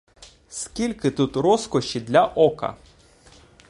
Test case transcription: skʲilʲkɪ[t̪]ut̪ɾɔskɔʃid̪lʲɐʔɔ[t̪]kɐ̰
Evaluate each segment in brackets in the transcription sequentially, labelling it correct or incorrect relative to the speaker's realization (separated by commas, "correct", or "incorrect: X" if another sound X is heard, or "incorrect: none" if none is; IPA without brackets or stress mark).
correct, incorrect: none